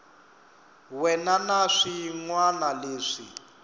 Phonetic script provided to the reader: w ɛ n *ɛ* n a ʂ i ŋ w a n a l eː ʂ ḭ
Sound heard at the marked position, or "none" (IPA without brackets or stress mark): a